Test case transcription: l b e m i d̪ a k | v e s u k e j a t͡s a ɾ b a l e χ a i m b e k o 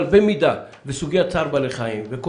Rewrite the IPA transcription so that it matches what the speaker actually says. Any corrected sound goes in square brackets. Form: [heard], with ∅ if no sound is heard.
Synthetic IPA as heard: l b e m i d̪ a [∅] | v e s u [ɡ] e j a t͡s a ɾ b a l e χ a i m [v] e k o